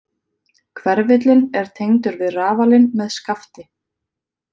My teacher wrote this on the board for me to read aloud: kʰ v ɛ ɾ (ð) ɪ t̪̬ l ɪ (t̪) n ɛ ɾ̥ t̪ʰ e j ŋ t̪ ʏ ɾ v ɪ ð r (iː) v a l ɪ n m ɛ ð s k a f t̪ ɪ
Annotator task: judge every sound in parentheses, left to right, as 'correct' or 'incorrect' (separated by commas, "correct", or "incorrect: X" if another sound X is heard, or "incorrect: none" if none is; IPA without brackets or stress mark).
incorrect: v, incorrect: none, incorrect: aː